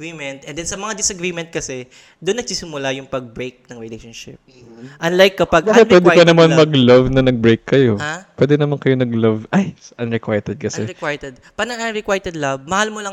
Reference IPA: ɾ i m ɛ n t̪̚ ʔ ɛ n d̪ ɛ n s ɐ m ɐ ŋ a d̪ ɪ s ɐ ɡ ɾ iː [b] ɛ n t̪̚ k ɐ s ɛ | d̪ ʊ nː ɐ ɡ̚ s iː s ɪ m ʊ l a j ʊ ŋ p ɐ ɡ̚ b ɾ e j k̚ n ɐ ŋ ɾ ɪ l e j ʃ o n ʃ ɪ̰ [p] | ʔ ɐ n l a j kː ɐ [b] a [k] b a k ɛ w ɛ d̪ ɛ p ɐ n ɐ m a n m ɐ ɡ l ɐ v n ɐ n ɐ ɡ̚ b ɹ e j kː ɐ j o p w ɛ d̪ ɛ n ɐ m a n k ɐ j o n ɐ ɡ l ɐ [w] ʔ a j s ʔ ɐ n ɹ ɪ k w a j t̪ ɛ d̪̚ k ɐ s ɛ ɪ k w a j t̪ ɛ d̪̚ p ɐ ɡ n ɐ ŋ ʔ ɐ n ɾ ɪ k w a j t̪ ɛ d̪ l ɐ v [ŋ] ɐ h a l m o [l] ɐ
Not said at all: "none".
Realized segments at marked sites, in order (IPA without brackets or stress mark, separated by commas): m, p, p, ɡ, v, m, l